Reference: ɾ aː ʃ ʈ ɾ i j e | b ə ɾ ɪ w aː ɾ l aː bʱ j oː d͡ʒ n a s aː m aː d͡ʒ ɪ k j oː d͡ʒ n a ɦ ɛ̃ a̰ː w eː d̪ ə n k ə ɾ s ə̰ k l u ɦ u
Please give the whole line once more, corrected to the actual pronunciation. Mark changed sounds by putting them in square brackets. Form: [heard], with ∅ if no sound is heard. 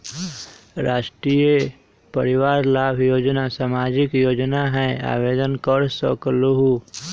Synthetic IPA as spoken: ɾ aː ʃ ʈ ɾ i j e | [p] ə ɾ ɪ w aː ɾ l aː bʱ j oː d͡ʒ n a s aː m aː d͡ʒ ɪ k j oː d͡ʒ n a ɦ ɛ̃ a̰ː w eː d̪ ə n k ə ɾ s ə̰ k l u ɦ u

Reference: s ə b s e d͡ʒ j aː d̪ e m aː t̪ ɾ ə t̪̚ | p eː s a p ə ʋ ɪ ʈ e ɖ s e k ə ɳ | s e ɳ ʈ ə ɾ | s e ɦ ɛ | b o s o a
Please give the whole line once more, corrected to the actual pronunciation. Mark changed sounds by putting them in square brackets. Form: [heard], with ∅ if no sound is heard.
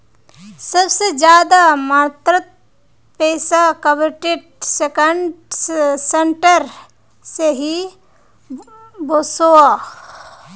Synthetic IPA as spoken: s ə b s e d͡ʒ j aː d̪ [a] m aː t̪ ɾ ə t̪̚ | p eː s a [k] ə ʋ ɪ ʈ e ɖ s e k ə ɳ | s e ɳ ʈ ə ɾ | s e ɦ [i] | b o s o a

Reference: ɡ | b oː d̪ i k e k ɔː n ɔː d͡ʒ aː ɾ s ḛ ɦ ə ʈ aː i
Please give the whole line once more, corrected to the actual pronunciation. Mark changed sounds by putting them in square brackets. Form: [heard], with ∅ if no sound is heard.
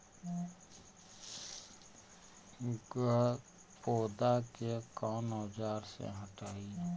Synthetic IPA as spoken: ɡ | [p] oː d̪ [a] k e k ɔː n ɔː d͡ʒ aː ɾ s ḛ ɦ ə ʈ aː i

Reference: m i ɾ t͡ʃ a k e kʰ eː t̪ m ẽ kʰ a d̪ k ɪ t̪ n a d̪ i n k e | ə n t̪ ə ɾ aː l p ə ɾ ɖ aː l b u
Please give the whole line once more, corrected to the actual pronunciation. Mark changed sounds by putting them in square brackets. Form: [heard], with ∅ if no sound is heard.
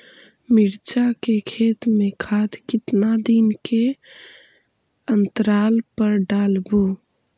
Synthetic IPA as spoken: m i ɾ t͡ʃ a k e kʰ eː t̪ m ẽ kʰ a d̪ k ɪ t̪ n a d̪ i n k e | ə n t̪ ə ɾ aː l p ə ɾ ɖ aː l b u

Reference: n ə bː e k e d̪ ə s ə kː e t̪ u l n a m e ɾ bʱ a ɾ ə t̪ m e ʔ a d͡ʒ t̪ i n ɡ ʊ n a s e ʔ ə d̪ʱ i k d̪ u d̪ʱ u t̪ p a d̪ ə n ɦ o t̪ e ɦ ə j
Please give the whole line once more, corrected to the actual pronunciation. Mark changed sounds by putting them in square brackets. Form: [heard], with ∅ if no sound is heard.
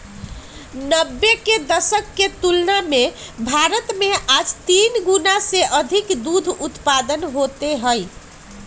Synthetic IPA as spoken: n ə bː e k e d̪ ə s ə kː e t̪ u l n a m e [∅] bʱ a ɾ ə t̪ m e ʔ a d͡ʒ t̪ i n ɡ [u] n a s e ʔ ə d̪ʱ i k d̪ u d̪ʱ u t̪ p a d̪ ə n ɦ o t̪ e ɦ ə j

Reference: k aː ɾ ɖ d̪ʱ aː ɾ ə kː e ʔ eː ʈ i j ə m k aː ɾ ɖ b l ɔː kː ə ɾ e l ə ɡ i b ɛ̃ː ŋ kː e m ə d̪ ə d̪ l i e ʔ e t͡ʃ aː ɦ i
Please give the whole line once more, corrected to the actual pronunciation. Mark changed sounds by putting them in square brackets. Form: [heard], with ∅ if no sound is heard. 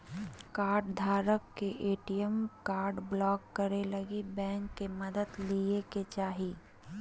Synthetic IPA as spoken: k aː ɾ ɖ d̪ʱ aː ɾ ə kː e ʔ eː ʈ i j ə m k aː ɾ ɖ b l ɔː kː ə ɾ e l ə ɡ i b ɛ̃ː ŋ kː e m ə d̪ ə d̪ l i e [k] e t͡ʃ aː ɦ i

